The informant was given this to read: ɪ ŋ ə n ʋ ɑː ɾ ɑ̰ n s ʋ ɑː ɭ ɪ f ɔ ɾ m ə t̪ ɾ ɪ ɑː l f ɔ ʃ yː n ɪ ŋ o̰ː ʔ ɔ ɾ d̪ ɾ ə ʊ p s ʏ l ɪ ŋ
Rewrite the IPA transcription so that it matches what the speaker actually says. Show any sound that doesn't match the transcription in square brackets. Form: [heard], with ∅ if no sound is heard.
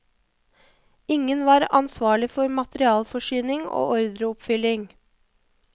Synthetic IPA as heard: ɪ ŋ ə n ʋ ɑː ɾ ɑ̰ n s ʋ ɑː ɭ ɪ f ɔ ɾ m [ɑ] t̪ ɾ ɪ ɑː l f ɔ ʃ yː n ɪ ŋ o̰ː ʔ ɔ ɾ d̪ ɾ ə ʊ p [f] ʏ l ɪ ŋ